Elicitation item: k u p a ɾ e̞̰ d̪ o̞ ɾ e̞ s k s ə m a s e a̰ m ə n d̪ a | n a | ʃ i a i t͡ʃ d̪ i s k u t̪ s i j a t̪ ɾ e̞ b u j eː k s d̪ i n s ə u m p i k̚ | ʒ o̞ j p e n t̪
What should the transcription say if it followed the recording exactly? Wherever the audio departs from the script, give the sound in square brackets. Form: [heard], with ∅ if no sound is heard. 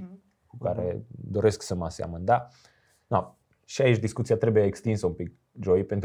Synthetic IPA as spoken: k u [k] a ɾ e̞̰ d̪ o̞ ɾ e̞ s k s ə m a s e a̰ m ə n d̪ a | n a | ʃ i a i t͡ʃ d̪ i s k u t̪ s i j a t̪ ɾ e̞ b u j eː k s [t̪] i n s ə u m p i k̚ | ʒ o̞ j p e n t̪